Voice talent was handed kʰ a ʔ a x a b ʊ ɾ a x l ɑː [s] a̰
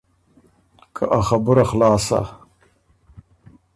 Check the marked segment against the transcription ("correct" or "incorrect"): correct